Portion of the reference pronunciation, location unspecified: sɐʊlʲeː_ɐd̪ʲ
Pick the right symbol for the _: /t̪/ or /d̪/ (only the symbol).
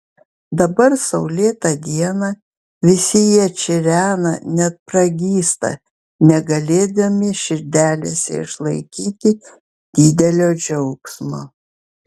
t̪